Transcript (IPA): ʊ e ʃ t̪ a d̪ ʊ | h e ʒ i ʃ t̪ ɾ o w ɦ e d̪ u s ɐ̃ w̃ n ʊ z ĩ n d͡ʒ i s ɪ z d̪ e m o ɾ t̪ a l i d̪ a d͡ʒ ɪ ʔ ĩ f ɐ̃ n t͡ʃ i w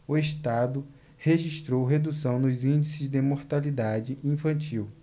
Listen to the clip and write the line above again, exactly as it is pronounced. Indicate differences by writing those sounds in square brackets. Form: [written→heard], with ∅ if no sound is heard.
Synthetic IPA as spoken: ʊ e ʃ t̪ a d̪ ʊ | h e ʒ i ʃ t̪ ɾ o w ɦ e d̪ u s ɐ̃ w̃ n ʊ z ĩ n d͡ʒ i s ɪ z d̪ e m o ɾ t̪ a l i d̪ a d͡ʒ ɪ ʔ ĩ f ɐ̃ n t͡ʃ i w